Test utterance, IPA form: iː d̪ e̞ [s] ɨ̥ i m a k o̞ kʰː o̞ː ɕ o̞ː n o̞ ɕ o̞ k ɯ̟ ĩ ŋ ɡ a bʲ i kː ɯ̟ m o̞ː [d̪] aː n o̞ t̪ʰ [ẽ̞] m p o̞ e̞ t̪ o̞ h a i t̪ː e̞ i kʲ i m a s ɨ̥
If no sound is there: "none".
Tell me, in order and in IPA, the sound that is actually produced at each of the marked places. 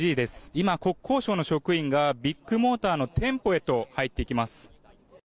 s, t̪, ẽ̞

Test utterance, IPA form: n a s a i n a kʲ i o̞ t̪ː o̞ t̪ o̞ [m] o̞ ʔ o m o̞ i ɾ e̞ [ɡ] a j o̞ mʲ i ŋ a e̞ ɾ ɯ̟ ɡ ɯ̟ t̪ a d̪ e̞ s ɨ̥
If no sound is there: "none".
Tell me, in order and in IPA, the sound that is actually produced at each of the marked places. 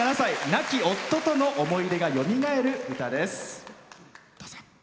n, ɡ

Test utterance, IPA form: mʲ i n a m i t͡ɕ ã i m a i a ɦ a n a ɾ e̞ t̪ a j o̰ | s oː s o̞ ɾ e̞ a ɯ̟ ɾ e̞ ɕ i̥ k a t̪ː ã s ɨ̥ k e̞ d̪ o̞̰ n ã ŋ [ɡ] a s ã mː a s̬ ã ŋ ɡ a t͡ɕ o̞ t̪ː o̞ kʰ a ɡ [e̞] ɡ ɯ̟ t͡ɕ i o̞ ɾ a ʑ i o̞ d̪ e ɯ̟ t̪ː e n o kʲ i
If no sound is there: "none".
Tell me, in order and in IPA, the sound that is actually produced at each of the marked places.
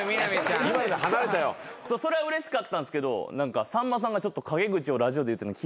k, e̞

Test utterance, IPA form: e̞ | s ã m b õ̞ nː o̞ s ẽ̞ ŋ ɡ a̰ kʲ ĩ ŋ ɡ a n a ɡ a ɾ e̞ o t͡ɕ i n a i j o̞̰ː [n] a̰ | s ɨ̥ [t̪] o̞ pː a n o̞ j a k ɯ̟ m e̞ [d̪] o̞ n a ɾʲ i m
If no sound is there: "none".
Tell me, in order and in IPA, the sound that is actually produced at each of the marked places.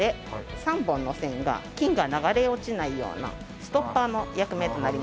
n, t̪, t̪

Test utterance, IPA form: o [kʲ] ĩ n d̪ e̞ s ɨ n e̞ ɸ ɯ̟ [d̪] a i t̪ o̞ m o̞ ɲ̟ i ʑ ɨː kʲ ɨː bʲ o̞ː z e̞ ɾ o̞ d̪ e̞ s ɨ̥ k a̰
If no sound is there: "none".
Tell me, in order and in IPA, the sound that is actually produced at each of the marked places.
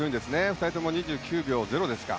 none, t̪

